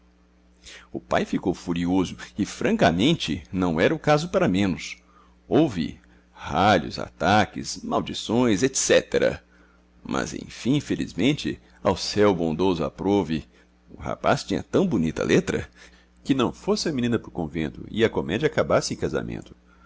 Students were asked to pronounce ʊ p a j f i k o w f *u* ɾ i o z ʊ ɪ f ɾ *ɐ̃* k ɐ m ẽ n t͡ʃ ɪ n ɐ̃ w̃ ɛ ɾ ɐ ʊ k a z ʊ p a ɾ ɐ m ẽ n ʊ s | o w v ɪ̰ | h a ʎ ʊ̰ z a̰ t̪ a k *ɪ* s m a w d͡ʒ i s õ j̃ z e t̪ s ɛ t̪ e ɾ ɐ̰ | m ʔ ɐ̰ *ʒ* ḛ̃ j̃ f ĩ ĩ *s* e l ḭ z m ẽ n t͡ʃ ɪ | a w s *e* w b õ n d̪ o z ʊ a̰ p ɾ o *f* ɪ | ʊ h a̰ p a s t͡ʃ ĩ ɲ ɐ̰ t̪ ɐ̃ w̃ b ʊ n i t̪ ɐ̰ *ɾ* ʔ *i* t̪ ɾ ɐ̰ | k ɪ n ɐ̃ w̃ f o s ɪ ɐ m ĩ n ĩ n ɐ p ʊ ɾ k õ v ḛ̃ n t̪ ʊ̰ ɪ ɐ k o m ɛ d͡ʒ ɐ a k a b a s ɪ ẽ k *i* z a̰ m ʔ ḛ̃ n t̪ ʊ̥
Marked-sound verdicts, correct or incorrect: correct, correct, correct, incorrect: z, incorrect: f, incorrect: ɛ, incorrect: v, incorrect: l, incorrect: e, incorrect: a

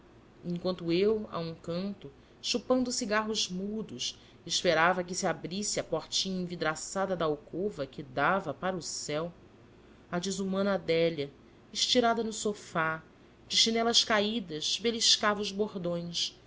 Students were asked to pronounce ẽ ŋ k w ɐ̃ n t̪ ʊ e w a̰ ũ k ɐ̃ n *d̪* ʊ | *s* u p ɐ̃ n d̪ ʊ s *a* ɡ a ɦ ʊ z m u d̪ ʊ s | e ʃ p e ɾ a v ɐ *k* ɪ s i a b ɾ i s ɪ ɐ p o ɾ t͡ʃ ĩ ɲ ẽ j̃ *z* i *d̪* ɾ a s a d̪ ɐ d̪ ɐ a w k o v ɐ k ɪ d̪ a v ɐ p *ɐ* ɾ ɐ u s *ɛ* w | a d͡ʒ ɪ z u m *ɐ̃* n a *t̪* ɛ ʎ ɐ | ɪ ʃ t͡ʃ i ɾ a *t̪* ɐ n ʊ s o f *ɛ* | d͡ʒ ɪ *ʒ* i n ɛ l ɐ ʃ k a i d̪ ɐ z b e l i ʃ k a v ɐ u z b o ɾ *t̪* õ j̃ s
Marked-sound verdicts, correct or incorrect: incorrect: t̪, incorrect: ʃ, incorrect: i, correct, incorrect: v, correct, incorrect: a, correct, correct, incorrect: d̪, incorrect: d̪, incorrect: a, incorrect: ʃ, incorrect: d̪

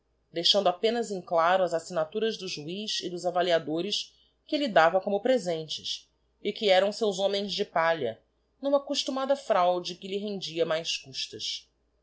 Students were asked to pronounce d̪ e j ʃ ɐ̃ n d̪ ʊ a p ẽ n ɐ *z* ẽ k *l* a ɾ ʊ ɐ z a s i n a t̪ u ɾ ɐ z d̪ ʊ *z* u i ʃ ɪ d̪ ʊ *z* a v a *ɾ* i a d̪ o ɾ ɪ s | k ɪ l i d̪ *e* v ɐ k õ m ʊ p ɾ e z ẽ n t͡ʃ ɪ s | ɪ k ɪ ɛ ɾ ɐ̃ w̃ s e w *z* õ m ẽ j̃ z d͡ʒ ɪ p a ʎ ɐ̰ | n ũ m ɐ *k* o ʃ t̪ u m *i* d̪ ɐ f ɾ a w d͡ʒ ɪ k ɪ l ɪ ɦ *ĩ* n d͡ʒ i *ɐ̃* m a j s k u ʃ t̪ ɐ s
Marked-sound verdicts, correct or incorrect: correct, correct, incorrect: ʒ, correct, incorrect: l, incorrect: a, correct, correct, incorrect: a, incorrect: ẽ, incorrect: ɐ

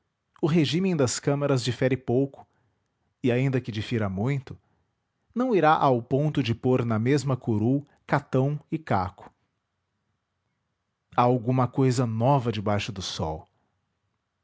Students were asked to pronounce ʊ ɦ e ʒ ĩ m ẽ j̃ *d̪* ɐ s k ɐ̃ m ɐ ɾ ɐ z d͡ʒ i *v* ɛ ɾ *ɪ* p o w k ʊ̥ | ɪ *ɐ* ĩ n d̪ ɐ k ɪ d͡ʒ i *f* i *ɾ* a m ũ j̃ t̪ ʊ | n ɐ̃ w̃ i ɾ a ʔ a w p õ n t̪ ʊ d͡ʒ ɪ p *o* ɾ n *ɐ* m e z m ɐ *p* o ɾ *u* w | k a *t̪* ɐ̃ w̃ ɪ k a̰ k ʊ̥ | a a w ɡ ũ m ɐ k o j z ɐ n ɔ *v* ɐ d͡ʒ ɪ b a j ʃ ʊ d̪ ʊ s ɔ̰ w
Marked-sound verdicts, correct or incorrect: correct, incorrect: f, correct, incorrect: a, correct, correct, correct, correct, incorrect: k, correct, correct, correct

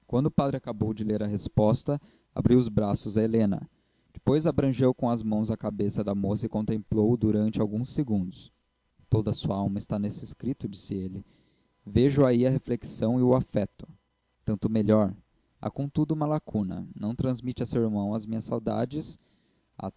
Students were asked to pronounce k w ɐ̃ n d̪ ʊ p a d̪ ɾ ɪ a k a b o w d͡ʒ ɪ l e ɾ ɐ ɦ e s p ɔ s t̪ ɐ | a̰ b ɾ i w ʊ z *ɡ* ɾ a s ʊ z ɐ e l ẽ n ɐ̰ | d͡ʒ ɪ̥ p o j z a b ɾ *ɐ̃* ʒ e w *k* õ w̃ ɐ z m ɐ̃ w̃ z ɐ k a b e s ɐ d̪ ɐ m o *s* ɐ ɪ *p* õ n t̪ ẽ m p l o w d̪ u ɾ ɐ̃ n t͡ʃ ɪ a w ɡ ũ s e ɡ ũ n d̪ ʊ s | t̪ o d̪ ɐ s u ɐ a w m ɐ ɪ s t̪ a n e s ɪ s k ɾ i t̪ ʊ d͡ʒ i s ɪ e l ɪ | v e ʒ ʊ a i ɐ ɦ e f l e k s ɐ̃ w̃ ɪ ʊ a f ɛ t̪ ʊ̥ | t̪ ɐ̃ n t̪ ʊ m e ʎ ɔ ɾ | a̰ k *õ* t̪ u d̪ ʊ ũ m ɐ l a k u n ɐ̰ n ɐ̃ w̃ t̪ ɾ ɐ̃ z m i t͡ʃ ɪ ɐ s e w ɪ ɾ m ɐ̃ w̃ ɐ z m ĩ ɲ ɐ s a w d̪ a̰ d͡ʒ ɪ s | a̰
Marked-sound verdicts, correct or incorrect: incorrect: b, correct, correct, correct, incorrect: k, correct

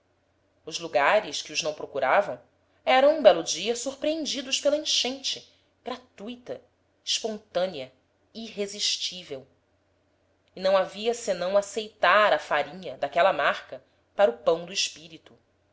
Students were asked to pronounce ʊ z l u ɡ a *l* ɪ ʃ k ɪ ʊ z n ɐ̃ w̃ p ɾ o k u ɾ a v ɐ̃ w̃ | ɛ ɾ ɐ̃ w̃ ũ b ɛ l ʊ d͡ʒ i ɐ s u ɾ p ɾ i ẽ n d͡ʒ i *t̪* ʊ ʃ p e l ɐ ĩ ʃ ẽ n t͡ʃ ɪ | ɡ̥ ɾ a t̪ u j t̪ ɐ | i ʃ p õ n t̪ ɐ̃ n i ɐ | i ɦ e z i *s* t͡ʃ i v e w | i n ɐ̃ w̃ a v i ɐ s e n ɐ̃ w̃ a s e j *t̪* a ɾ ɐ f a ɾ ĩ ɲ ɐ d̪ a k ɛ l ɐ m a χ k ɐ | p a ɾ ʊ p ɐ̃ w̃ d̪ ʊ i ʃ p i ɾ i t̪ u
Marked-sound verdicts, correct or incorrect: incorrect: ɾ, incorrect: d̪, incorrect: ʃ, correct

